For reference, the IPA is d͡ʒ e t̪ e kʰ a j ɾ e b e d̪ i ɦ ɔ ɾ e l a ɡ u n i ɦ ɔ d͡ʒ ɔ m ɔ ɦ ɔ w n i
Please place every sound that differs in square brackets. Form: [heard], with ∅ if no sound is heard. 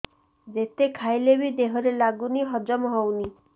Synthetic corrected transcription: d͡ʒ e t̪ e kʰ a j [l] e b [i] d̪ [e] ɦ ɔ ɾ e l a ɡ u n i ɦ ɔ d͡ʒ ɔ m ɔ ɦ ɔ w n i